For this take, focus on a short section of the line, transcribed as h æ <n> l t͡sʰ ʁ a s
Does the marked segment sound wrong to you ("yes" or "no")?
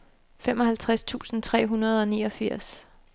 yes